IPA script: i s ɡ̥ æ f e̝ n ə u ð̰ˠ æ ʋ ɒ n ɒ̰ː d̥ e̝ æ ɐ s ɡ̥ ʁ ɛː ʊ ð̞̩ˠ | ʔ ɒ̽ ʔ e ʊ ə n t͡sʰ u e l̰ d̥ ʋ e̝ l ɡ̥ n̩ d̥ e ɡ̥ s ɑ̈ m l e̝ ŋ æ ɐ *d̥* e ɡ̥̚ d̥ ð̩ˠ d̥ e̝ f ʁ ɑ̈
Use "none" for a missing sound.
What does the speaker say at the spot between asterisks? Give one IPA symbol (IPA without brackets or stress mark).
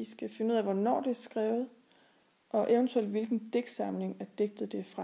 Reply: d̥